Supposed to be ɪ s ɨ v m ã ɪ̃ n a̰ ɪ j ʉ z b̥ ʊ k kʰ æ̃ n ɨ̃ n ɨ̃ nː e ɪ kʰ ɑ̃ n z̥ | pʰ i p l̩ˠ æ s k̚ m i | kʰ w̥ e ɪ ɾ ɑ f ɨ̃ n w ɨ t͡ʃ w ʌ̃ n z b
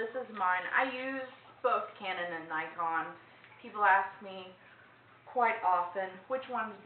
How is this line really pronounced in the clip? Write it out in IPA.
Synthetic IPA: ɪ s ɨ z m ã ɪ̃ n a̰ ɪ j ʉ z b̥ ʊ k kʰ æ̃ n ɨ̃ n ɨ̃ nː a ɪ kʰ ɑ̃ n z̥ | pʰ i p l̩ˠ æ s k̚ m i | kʰ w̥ a ɪ ɾ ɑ f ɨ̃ n w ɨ t͡ʃ w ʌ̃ n z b